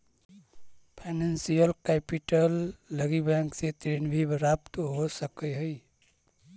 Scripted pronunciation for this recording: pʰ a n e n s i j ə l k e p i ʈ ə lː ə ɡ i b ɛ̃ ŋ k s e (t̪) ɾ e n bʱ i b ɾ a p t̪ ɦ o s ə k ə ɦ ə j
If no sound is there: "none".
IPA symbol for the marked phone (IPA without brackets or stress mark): t̪